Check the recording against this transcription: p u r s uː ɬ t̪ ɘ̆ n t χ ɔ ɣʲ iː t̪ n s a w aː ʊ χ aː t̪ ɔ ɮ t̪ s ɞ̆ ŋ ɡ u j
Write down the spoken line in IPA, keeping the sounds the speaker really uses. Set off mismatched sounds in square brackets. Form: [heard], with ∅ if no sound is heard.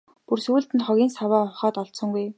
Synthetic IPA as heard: p u r s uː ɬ t̪ ɘ̆ n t χ ɔ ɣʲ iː [∅] n s a w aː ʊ χ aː t̪ ɔ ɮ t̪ s ɞ̆ ŋ ɡ u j